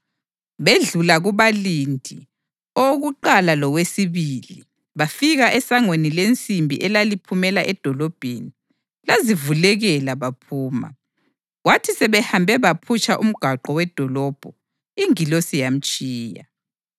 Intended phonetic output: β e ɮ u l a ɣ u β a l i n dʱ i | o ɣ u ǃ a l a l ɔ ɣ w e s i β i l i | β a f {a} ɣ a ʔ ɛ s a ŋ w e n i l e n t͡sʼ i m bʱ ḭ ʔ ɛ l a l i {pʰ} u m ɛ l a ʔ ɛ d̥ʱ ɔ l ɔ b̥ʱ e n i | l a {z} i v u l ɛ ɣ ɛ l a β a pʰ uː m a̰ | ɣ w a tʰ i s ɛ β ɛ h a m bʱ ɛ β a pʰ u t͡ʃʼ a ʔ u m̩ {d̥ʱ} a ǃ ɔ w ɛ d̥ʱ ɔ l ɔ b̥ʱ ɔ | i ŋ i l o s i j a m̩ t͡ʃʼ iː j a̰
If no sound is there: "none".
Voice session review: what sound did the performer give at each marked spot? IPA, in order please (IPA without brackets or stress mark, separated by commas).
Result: i, pʰ, z, ɡ̥ʱ